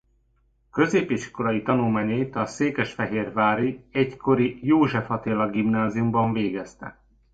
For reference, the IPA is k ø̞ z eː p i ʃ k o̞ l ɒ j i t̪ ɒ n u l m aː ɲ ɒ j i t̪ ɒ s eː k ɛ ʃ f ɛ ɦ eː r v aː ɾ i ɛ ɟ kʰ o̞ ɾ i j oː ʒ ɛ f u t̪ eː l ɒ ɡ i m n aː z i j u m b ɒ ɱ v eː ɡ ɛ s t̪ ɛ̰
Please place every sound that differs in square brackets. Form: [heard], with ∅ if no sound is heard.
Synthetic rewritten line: k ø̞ z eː p i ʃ k o̞ l ɒ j i t̪ ɒ n u l m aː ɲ ɒ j i t̪ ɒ s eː k ɛ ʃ f ɛ ɦ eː r v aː ɾ i ɛ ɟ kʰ o̞ ɾ i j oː ʒ ɛ f [ɒ] t̪ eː l ɒ ɡ i m n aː z i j u m b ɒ ɱ v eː ɡ ɛ s t̪ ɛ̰

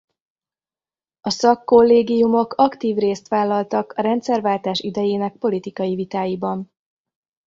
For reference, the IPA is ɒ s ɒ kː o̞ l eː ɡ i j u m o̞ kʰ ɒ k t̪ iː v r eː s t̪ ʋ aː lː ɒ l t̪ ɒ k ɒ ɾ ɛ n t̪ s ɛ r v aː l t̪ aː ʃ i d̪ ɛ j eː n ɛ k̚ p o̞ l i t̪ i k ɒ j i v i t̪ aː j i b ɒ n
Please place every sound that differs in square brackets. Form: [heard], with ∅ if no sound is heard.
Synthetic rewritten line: ɒ s ɒ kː o̞ [lː] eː ɡ i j u m o̞ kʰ ɒ k t̪ iː v r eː s t̪ ʋ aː lː ɒ l t̪ ɒ k ɒ ɾ ɛ n t̪ s ɛ r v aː l t̪ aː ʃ i d̪ ɛ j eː n ɛ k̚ p o̞ l i t̪ i k ɒ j i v i t̪ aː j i b ɒ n

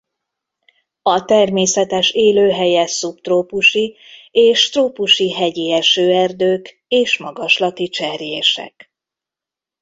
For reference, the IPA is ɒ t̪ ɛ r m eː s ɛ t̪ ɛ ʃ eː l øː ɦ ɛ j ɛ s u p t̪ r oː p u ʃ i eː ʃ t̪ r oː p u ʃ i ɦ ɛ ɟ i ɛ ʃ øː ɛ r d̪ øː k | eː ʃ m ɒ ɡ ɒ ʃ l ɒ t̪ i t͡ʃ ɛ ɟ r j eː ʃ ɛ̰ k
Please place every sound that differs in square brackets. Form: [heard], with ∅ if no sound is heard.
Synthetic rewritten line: ɒ t̪ ɛ r m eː s ɛ t̪ ɛ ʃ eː l øː ɦ ɛ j ɛ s u p t̪ r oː p u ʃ i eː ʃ t̪ r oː p u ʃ i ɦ ɛ ɟ i ɛ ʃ øː ɛ r d̪ øː k | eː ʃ m ɒ ɡ ɒ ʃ l ɒ t̪ i t͡ʃ ɛ [∅] r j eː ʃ ɛ̰ k

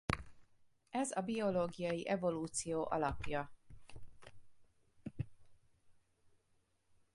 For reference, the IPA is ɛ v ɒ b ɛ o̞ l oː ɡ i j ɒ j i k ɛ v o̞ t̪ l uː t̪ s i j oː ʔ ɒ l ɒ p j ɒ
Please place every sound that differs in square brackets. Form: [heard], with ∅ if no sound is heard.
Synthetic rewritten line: ɛ [z] ɒ b [i] o̞ l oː ɡ i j ɒ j i [ʔ] ɛ v o̞ [∅] l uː t̪ s i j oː ʔ ɒ l ɒ p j ɒ

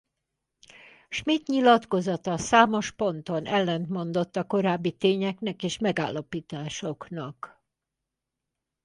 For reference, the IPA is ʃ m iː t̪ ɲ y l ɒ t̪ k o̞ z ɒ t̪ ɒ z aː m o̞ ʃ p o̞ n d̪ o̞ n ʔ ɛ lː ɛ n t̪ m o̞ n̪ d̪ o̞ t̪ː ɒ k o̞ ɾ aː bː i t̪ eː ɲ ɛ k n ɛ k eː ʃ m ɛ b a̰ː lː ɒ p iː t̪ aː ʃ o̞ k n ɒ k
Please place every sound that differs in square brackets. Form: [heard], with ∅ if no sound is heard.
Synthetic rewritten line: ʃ m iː t̪ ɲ [i] l ɒ t̪ k o̞ z ɒ t̪ ɒ [s] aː m o̞ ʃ p o̞ n [t̪] o̞ n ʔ ɛ lː ɛ n t̪ m o̞ n̪ d̪ o̞ t̪ː ɒ k o̞ ɾ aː bː i t̪ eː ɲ ɛ k n ɛ k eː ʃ m ɛ [ɡ] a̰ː lː ɒ p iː t̪ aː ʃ o̞ k n ɒ k

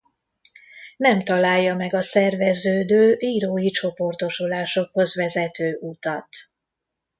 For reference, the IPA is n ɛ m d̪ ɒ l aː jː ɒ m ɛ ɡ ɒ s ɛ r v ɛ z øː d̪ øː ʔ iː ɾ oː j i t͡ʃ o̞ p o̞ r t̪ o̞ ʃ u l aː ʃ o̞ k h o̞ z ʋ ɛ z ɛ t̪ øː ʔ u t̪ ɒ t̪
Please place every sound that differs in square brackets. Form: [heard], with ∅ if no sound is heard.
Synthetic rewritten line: n ɛ m [t̪] ɒ l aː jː ɒ m ɛ ɡ ɒ s ɛ r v ɛ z øː d̪ øː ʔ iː ɾ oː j i t͡ʃ o̞ p o̞ r t̪ o̞ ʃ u l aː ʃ o̞ k h o̞ z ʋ ɛ z ɛ t̪ øː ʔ u t̪ ɒ t̪

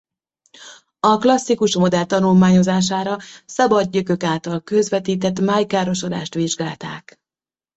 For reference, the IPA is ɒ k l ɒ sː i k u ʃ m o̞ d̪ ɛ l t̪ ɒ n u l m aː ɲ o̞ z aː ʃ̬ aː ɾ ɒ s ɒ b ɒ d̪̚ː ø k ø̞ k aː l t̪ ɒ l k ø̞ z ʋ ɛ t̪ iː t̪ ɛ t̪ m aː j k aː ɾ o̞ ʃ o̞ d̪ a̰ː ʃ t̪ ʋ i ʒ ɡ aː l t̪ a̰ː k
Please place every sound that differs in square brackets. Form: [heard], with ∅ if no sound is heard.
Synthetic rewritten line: ɒ k l ɒ sː i k u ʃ m o̞ d̪ ɛ l t̪ ɒ n u l m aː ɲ o̞ z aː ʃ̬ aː ɾ ɒ s ɒ b ɒ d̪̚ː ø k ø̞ k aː l t̪ ɒ l k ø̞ z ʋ ɛ t̪ iː t̪ ɛ t̪ m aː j k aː ɾ o̞ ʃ o̞ d̪ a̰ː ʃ t̪ ʋ i ʒ ɡ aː l t̪ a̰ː k

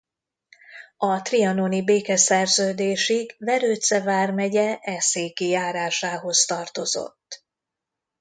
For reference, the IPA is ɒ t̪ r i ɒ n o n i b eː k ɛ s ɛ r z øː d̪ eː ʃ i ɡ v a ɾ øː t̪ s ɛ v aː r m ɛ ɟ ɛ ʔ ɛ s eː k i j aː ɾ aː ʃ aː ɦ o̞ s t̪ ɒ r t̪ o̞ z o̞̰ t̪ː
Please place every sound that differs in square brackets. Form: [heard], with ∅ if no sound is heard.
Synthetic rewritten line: ɒ t̪ r i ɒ n o n i b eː k ɛ s ɛ r z øː d̪ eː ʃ i ɡ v [ɛ] ɾ øː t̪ s ɛ v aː r m ɛ ɟ ɛ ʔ ɛ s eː k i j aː ɾ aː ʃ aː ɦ o̞ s t̪ ɒ r t̪ o̞ z o̞̰ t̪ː

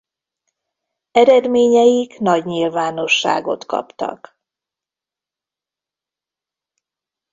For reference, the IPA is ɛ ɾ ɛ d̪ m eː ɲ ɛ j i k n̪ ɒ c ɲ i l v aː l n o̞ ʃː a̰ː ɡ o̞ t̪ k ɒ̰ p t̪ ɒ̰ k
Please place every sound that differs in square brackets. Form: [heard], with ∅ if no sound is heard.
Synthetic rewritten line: ɛ ɾ ɛ d̪ m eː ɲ ɛ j i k n̪ ɒ [ɟ] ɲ i l v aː [∅] n o̞ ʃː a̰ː ɡ o̞ t̪ k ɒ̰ p t̪ ɒ̰ k

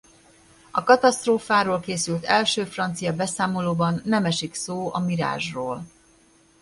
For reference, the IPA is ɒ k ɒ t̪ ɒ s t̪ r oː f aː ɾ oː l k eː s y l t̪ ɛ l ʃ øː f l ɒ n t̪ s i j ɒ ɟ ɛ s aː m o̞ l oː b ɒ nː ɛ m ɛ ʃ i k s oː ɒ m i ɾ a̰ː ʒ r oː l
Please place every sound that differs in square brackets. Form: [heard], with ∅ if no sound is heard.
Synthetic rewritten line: ɒ k ɒ t̪ ɒ s t̪ r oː f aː ɾ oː l k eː s y l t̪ ɛ l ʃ øː f [r] ɒ n t̪ s i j ɒ [b] ɛ s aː m o̞ l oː b ɒ nː ɛ m ɛ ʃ i k s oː ɒ m i ɾ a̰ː ʒ r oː l

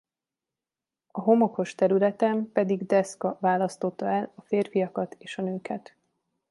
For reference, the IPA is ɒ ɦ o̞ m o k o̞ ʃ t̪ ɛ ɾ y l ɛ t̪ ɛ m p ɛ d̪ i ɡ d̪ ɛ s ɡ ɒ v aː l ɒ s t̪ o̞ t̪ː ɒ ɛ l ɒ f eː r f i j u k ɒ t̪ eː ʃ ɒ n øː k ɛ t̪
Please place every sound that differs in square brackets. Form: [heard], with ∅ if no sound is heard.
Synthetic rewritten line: ɒ ɦ o̞ m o k o̞ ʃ t̪ ɛ ɾ y l ɛ t̪ ɛ m p ɛ d̪ i ɡ d̪ ɛ s [k] ɒ v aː l ɒ s t̪ o̞ t̪ː ɒ ɛ l ɒ f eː r f i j [ɒ] k ɒ t̪ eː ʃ ɒ n øː k ɛ t̪

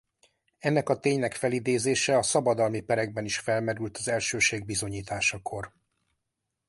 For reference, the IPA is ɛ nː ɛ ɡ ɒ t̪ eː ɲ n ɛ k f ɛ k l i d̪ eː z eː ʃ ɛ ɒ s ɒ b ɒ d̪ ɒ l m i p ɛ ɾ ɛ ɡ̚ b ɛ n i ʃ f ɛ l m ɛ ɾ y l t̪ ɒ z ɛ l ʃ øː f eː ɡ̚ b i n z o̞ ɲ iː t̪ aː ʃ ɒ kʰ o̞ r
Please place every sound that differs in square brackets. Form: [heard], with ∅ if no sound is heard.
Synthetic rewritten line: ɛ nː ɛ [k] ɒ t̪ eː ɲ n ɛ k f ɛ [∅] l i d̪ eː z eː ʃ ɛ ɒ s ɒ b ɒ d̪ ɒ l m i p ɛ ɾ ɛ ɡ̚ b ɛ n i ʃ f ɛ l m ɛ ɾ y l t̪ ɒ z ɛ l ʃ øː [ʃ] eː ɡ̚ b i [∅] z o̞ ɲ iː t̪ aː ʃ ɒ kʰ o̞ r

